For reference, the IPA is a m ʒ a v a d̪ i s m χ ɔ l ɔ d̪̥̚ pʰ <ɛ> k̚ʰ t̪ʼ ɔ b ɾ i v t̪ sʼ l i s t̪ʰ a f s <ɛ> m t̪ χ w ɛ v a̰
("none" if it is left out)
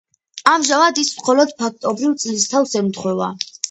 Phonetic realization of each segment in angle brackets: a, ɛ

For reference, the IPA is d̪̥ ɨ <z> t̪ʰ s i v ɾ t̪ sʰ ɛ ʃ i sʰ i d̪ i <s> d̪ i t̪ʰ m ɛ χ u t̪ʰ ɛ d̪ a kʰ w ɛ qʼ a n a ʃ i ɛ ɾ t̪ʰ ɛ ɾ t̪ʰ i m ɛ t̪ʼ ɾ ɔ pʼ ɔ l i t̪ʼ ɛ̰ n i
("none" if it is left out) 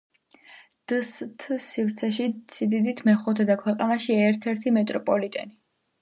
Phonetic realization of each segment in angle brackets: s, none

